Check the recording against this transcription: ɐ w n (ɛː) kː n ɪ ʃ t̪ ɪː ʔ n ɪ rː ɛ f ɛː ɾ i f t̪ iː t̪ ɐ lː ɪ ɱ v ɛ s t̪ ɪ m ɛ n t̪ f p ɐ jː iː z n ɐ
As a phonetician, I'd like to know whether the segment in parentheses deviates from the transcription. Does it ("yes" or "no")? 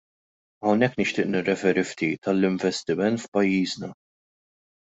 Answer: yes